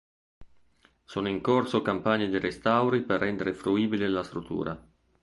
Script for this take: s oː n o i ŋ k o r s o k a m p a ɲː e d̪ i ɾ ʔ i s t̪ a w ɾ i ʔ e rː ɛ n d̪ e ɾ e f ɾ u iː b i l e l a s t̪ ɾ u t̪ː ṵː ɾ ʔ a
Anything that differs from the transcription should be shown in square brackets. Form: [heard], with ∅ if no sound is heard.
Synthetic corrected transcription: s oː n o i ŋ k o r s o k a m p a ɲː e d̪ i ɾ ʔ [e] s t̪ a w ɾ i [p] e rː ɛ n d̪ e ɾ e f ɾ u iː b i l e l a s t̪ ɾ u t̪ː ṵː ɾ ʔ a

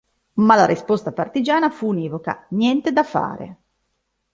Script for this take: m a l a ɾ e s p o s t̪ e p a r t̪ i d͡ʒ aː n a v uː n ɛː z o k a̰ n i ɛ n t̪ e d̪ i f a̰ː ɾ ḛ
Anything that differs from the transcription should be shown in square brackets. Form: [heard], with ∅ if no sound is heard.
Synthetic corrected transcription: m a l a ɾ [i] s p o s t̪ [a] p a r t̪ i d͡ʒ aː n a [f] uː n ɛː [v] o k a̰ n [j] ɛ n t̪ e d̪ [a] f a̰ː ɾ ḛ

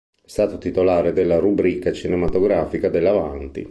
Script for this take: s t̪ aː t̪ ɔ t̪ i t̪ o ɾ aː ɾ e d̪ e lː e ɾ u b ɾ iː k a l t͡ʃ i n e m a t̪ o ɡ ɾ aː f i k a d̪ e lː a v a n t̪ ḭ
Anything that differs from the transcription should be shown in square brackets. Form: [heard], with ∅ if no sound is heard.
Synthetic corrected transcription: s t̪ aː t̪ [o] t̪ i t̪ o [l] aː ɾ e d̪ e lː [a] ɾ u b ɾ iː k a [∅] t͡ʃ i n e m a t̪ o ɡ ɾ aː f i k a d̪ e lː a v a n t̪ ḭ

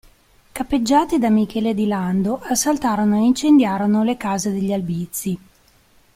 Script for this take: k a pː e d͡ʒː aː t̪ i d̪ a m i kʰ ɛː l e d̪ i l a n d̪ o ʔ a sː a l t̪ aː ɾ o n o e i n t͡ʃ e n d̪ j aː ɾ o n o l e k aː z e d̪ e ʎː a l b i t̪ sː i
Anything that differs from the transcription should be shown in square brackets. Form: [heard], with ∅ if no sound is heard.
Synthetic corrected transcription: k a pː e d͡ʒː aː t̪ i d̪ a m i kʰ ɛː l e d̪ i l a n d̪ o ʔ a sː a l t̪ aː ɾ o n o e i n t͡ʃ e n d̪ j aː ɾ o n o l e k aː z e d̪ e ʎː a l b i t̪ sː i

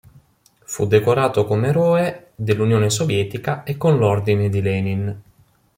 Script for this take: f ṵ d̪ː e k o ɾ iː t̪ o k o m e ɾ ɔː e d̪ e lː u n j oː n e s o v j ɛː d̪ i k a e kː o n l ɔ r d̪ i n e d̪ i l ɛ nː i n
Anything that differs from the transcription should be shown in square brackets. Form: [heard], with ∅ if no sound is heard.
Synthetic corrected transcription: f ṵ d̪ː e k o ɾ [aː] t̪ o k o m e ɾ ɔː e d̪ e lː u n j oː n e s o v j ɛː [t̪] i k a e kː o n l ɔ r d̪ i n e d̪ i l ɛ [n] i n

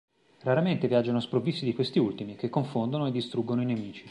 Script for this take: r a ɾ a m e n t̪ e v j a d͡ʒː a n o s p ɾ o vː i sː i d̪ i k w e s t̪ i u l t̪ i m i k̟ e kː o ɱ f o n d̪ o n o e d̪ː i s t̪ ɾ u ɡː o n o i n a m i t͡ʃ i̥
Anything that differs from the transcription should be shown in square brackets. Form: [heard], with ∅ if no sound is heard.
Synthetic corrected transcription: r a ɾ a m e n t̪ e v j a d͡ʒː a n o s p ɾ o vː i sː i d̪ i k w e s t̪ i u l t̪ i m i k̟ e kː o ɱ f o n d̪ o n o e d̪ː i s t̪ ɾ u ɡː o n o i n [e] m [iː] t͡ʃ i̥

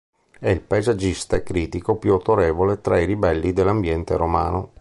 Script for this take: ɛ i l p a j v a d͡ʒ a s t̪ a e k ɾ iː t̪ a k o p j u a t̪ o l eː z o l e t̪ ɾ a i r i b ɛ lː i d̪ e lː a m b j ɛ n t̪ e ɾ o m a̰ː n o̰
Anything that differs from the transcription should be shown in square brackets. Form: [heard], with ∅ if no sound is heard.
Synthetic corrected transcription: ɛ i l p a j [z] a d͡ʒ [i] s t̪ a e k ɾ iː t̪ [i] k o p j u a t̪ o [ɾ] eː [v] o l e t̪ ɾ a i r i b ɛ lː i d̪ e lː a m b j ɛ n t̪ e ɾ o m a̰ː n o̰

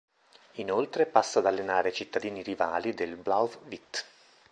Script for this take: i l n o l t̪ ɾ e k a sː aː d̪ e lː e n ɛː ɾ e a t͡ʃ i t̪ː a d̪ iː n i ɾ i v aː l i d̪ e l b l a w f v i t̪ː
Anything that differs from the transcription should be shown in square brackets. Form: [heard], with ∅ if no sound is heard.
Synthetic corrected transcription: i [∅] n o l t̪ ɾ e [p] a sː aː d̪ [a] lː e n [aː] ɾ e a t͡ʃ i t̪ː a d̪ iː n i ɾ i v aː l i d̪ e l b l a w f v i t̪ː

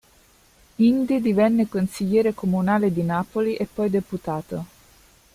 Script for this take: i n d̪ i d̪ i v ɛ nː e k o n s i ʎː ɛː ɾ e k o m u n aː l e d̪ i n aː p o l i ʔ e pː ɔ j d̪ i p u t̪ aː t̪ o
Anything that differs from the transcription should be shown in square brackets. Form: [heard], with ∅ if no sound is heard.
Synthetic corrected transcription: i n d̪ i d̪ i v ɛ nː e k o n s i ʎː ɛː ɾ e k o m u n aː l e d̪ i n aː p o l i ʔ e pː ɔ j d̪ [e] p u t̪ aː t̪ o

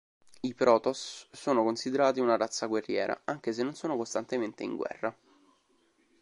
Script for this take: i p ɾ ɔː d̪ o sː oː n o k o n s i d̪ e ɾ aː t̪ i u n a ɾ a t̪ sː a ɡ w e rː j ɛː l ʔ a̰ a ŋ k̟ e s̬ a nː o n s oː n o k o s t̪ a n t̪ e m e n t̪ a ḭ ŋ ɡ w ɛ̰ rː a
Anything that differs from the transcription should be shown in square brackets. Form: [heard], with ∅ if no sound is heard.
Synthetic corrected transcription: i p ɾ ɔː [t̪] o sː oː n o k o n s i d̪ e ɾ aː t̪ i u n a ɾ a t̪ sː a ɡ w e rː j ɛː [ɾ] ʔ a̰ a ŋ k̟ e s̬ [e] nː o n s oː n o k o s t̪ a n t̪ e m e n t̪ [e] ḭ ŋ ɡ w ɛ̰ rː a

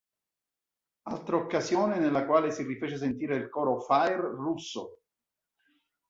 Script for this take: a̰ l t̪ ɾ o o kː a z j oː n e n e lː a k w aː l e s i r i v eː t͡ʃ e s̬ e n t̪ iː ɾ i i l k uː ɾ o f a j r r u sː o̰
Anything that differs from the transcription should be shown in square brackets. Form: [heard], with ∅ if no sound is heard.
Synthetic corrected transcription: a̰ l t̪ ɾ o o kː a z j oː n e n e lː a k w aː l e s i r i [f] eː t͡ʃ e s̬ e n t̪ iː ɾ [e] i l k [ɔː] ɾ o f a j r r u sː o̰

